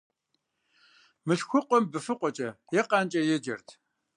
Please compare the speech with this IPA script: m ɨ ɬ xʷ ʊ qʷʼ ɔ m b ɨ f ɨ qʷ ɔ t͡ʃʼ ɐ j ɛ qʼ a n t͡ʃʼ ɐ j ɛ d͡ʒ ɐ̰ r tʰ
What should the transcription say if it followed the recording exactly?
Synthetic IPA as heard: m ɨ ɬ xʷ ʊ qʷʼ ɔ m b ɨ f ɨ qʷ ɔ t͡ʃʼ ɐ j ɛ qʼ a n t͡ʃʼ ɐ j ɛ d͡ʒ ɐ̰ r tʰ